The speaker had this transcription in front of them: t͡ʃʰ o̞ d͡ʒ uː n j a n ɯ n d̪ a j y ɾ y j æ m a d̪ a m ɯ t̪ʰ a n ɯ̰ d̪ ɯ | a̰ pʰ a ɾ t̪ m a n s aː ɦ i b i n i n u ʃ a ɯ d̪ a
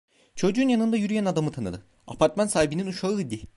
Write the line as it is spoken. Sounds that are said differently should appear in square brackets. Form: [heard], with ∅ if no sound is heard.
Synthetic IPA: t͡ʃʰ o̞ d͡ʒ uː n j a n ɯ n d̪ a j y ɾ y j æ [n] a d̪ a m ɯ t̪ʰ a n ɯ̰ d̪ ɯ | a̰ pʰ a ɾ t̪ m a n s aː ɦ i b i n i n u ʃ a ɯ d̪ [i]